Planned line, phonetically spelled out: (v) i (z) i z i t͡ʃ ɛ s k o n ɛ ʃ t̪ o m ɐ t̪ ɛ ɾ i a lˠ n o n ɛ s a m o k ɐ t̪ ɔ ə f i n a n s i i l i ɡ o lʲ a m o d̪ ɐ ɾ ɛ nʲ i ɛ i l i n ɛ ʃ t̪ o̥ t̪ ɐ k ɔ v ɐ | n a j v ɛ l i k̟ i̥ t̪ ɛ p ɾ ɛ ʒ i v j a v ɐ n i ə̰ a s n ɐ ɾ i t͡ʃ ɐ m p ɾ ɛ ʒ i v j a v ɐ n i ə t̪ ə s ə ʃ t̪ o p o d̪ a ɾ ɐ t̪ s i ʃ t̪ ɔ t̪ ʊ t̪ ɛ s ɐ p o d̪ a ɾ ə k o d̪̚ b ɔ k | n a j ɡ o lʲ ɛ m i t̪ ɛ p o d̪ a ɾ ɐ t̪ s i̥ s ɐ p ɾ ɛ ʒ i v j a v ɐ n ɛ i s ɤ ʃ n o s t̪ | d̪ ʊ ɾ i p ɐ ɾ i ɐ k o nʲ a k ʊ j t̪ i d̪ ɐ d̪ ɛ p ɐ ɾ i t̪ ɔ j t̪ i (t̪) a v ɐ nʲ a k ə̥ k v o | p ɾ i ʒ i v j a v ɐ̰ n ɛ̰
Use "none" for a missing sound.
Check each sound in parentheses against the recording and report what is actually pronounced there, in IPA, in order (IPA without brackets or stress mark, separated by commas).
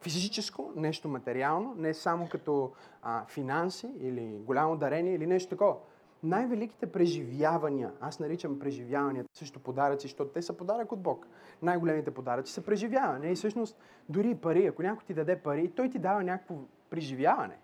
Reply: f, z, d̪